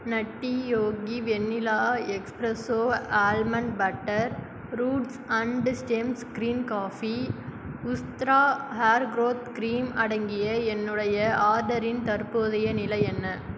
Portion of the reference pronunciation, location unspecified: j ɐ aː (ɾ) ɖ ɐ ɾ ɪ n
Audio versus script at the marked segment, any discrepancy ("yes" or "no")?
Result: no